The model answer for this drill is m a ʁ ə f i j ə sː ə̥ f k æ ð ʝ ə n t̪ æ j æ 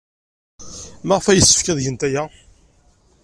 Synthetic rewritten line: m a ʁ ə f æ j ə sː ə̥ f k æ ð ʝ ə n t̪ æ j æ

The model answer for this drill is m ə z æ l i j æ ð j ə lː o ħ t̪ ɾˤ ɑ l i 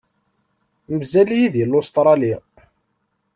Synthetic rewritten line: m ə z æ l i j i ð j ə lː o s t̪ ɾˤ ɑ l i

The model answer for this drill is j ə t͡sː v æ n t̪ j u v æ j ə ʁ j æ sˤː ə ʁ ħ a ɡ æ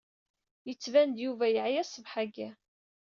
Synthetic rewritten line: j ə t͡sː v æ n d̪ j u v æ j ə ʕ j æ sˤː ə v ħ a ɡ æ

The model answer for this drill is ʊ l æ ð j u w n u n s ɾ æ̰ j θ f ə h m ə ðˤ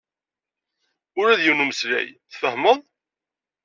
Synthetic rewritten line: ʊ ɾ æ ð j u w n u m s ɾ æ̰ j θ f ə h m ə ðˤ

